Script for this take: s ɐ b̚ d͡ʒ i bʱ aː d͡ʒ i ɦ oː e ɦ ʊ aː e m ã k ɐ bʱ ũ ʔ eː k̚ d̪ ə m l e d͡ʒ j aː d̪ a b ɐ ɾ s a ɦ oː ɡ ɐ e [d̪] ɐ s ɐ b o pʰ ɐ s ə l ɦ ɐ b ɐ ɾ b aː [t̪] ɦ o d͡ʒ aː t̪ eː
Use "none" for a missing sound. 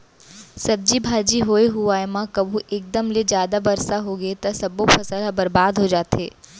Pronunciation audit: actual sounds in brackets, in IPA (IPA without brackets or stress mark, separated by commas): t̪, d̪